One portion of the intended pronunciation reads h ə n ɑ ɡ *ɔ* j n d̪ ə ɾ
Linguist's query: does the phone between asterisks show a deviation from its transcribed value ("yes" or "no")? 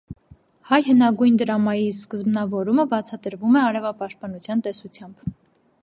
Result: yes